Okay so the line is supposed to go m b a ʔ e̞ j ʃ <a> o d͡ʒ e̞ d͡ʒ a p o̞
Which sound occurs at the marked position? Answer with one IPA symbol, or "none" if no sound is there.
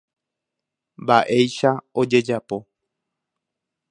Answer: a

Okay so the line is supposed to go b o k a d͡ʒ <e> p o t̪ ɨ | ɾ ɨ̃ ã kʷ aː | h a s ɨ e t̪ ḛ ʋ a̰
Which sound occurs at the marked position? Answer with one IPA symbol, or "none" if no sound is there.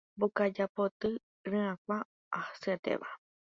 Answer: a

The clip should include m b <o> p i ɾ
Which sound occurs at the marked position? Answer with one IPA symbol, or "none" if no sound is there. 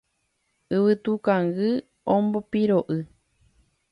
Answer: o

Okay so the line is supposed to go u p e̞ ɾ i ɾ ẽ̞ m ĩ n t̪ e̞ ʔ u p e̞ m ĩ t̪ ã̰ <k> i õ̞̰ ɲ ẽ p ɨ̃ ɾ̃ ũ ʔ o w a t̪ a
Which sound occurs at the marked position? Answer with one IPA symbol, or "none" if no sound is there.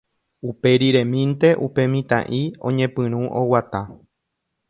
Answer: ʔ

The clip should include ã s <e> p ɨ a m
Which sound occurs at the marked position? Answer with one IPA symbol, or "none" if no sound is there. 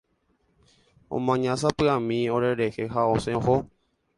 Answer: a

